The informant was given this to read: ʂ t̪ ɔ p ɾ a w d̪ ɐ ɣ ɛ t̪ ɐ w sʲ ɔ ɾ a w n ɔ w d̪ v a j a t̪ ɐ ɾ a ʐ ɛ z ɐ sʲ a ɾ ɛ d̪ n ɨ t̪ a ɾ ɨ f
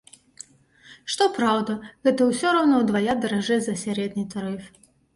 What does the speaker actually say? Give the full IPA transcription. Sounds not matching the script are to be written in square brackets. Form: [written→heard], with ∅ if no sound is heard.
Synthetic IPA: ʂ t̪ ɔ p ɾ a w d̪ ɐ ɣ ɛ t̪ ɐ w sʲ ɔ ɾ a w n ɔ w d̪ v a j a [t̪→d̪] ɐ ɾ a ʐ ɛ z ɐ sʲ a ɾ ɛ d̪ n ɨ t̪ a ɾ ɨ f